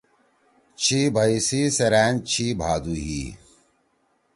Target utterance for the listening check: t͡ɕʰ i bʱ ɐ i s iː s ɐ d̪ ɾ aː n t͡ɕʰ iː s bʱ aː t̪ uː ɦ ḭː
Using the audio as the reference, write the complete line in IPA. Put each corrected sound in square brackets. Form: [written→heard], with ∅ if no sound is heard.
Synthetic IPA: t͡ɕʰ i bʱ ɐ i s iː s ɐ [d̪→∅] ɾ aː n t͡ɕʰ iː [s→∅] bʱ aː [t̪→d̪] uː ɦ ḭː